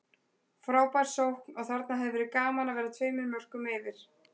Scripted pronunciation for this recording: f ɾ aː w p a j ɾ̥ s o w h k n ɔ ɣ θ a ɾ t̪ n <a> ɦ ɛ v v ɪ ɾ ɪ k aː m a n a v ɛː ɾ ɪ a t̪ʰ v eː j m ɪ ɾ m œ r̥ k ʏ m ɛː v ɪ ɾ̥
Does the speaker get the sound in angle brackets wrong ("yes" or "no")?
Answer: no